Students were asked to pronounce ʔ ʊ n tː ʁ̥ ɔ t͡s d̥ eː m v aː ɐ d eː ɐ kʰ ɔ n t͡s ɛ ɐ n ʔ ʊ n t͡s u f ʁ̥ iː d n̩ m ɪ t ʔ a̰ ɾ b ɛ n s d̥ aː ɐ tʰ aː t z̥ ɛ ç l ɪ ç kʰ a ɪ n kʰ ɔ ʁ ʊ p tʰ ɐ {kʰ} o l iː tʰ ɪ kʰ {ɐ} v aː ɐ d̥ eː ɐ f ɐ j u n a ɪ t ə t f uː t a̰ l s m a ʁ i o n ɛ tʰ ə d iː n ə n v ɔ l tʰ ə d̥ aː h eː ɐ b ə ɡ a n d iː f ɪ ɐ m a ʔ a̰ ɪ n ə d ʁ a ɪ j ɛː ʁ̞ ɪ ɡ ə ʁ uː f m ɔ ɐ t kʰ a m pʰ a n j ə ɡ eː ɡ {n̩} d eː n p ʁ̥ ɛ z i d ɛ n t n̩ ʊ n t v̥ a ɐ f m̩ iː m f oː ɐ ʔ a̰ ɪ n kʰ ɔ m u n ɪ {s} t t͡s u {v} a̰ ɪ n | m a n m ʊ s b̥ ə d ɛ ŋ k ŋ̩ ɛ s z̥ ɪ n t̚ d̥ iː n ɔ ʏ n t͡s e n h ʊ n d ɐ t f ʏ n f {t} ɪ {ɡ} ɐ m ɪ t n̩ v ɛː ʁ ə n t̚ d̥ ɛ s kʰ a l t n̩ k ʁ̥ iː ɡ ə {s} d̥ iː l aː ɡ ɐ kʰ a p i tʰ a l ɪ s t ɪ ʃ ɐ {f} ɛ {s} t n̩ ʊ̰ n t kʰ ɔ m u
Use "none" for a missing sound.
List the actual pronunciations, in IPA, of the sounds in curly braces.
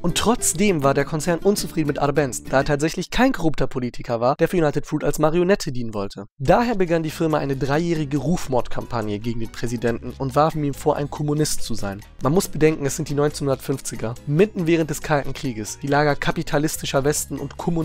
pʰ, ɐ, ŋ̩, s, z, t͡s, ɡ, s, v, s

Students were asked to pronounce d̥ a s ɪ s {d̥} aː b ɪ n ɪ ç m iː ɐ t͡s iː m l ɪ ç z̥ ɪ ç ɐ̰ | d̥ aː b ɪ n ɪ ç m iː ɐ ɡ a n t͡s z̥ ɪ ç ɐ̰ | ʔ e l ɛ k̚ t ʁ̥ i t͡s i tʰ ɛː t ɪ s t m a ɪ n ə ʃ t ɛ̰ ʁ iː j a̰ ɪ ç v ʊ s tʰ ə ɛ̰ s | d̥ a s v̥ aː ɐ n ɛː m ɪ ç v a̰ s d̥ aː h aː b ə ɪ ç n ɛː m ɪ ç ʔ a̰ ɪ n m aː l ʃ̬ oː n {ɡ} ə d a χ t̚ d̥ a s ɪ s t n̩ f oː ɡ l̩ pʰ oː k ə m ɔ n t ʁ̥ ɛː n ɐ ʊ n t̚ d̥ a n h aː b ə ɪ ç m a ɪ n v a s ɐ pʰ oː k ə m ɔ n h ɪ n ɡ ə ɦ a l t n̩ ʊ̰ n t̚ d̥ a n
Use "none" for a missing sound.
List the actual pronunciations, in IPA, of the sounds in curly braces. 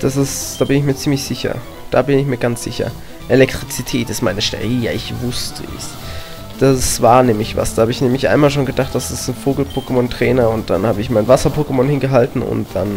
d̥, ɡ

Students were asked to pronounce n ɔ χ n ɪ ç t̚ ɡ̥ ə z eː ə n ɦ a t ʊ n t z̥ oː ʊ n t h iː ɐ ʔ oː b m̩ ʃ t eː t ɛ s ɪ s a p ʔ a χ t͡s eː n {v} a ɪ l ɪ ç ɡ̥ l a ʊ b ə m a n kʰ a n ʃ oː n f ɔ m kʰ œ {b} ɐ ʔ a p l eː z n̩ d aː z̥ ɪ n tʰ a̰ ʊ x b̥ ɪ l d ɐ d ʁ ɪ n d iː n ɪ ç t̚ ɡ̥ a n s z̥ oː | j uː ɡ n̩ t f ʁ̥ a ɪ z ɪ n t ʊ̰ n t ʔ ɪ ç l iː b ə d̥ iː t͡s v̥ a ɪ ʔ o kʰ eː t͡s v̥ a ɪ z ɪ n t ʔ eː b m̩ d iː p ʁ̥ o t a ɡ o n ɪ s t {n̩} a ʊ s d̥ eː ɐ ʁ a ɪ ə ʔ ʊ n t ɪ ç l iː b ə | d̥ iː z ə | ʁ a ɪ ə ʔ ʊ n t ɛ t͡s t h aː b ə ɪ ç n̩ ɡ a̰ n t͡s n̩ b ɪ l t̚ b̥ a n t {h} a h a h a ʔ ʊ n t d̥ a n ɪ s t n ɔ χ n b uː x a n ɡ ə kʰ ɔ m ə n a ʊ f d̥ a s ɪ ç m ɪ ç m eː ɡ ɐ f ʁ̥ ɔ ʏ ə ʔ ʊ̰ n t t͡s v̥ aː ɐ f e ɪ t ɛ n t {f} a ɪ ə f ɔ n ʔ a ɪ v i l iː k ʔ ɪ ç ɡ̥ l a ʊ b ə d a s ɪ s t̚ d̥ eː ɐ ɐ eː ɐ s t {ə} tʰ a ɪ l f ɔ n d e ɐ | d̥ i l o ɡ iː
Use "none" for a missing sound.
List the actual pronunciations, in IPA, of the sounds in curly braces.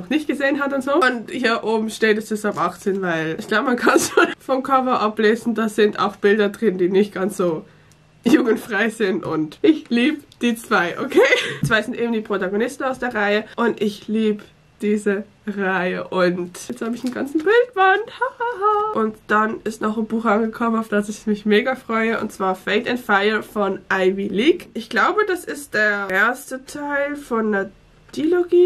v, v, n̩, h, f, ə

